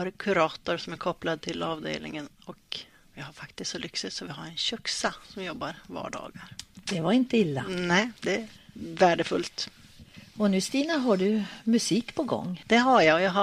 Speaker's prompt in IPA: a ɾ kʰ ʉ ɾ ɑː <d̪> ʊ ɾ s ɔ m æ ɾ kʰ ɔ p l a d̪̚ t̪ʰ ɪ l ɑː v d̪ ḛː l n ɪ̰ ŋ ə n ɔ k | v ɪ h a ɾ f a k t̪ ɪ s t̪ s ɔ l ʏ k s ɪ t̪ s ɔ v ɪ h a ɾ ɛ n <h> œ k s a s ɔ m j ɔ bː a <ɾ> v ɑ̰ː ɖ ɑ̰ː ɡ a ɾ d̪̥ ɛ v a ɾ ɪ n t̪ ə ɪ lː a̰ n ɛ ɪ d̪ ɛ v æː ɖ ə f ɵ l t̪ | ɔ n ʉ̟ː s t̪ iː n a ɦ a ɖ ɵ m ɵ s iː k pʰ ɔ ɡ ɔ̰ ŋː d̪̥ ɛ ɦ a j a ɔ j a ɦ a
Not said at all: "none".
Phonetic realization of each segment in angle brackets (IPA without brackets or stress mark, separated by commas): t̪, ɕ, ɾ